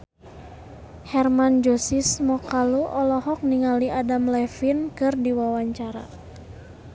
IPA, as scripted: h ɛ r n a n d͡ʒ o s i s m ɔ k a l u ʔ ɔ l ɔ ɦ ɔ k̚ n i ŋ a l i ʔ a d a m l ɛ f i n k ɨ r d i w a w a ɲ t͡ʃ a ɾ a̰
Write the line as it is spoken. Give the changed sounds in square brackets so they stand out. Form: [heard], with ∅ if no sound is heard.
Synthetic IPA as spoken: h ɛ r [m] a n d͡ʒ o s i s m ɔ k a l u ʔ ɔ l ɔ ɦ ɔ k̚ n i ŋ a l i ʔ a d a m l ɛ f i n k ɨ r d i w a w a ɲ t͡ʃ a ɾ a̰

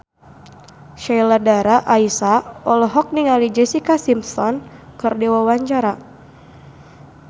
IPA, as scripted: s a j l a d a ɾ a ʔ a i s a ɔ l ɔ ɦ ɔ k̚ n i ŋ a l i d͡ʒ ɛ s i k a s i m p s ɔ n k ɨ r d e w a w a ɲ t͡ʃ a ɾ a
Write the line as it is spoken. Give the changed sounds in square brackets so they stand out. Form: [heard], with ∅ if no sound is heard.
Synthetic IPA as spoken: [ʃ] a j l a d a ɾ a ʔ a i s a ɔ l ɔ ɦ ɔ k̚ n i ŋ a l i d͡ʒ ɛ s i k a s i m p s ɔ n k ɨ r d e w a w a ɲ t͡ʃ a ɾ a

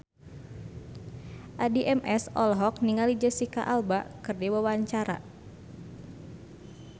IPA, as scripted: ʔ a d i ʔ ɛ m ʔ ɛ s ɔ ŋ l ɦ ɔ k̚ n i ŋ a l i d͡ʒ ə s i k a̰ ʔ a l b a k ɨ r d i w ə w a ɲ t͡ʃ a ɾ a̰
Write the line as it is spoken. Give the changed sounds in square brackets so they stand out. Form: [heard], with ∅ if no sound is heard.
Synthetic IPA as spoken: ʔ a d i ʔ ɛ m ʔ ɛ s ɔ [∅] l ɦ ɔ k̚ n i ŋ a l i d͡ʒ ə s i k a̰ ʔ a l b a k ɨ r d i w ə w a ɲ t͡ʃ a ɾ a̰

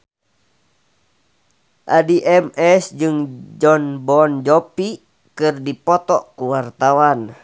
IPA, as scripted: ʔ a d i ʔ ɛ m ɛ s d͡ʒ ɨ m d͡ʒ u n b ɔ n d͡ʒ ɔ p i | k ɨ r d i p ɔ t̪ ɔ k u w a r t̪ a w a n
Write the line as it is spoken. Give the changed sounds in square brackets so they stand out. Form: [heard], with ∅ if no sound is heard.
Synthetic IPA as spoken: ʔ a d i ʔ ɛ m ɛ s d͡ʒ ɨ [ŋ] d͡ʒ [ɔ] n b ɔ n d͡ʒ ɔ p i | k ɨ r d i p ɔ t̪ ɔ k u w a r t̪ a w a n

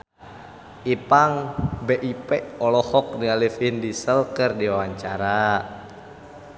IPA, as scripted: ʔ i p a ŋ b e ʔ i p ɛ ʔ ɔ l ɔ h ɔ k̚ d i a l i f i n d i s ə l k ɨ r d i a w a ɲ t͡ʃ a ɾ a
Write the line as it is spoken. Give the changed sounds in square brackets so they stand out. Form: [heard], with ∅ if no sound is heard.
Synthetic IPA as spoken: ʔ i p a ŋ b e ʔ i p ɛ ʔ ɔ l ɔ h ɔ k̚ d i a l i f i n d i s ə l k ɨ r d i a w a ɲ t͡ʃ a ɾ a

